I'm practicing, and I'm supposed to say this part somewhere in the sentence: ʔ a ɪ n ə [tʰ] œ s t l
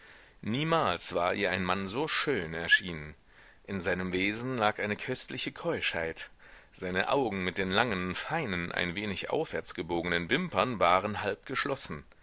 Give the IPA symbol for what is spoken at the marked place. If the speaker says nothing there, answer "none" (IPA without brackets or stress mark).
kʰ